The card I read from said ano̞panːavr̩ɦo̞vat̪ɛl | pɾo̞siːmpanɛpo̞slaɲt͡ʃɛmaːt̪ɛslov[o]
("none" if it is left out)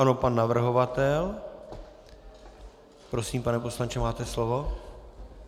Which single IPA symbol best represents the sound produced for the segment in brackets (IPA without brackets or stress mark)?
o